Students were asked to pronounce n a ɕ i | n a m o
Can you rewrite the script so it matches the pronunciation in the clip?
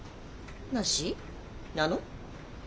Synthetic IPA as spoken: n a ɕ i | n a n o